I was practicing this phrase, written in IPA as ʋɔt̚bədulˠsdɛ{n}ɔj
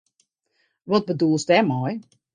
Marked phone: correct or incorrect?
incorrect